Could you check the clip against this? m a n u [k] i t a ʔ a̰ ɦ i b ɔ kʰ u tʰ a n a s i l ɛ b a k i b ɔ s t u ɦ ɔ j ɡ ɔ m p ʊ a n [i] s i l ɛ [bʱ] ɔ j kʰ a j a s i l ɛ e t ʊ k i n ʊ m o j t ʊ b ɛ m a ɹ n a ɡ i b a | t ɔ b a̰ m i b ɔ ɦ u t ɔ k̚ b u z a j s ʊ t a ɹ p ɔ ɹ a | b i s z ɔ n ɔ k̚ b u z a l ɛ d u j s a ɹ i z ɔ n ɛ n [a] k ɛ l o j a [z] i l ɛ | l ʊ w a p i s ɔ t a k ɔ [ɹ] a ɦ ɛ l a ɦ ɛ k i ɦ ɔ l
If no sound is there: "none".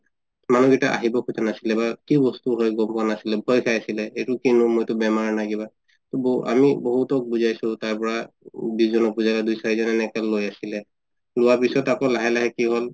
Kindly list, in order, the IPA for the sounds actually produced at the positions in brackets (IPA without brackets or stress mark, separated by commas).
ɡ, a, bʱ, ɛ, s, l